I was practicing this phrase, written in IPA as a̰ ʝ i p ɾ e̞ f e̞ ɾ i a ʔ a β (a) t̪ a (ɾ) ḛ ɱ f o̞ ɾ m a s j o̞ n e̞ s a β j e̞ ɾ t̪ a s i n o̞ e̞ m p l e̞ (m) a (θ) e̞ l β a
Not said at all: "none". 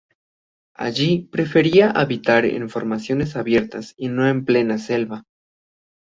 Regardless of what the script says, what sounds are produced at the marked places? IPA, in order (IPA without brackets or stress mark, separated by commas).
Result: i, ɾ, n, s